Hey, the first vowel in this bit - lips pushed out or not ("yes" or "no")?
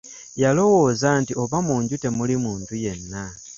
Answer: no